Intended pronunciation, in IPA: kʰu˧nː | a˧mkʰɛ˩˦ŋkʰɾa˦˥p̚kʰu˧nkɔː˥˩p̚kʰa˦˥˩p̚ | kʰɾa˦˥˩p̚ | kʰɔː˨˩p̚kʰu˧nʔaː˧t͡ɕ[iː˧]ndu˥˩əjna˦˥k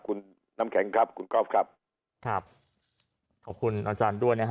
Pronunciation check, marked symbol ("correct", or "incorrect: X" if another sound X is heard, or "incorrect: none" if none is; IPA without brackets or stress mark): incorrect: aː˧